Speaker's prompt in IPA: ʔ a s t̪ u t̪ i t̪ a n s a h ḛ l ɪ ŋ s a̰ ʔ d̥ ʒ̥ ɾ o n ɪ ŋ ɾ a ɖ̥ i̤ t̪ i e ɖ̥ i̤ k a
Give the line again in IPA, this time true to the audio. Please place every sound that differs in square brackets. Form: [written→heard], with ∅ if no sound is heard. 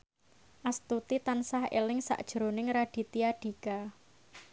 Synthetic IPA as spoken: ʔ a s t̪ u t̪ i t̪ a n s a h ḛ l ɪ ŋ s a̰ ʔ d̥ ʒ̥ ɾ o n ɪ ŋ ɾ a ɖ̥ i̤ t̪ i [e→a] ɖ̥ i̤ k a